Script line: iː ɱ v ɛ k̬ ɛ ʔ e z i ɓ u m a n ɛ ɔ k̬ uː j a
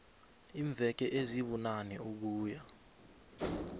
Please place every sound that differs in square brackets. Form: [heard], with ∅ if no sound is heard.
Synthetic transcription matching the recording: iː ɱ v ɛ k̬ ɛ ʔ e z i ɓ u [n] a n ɛ [u] k̬ uː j a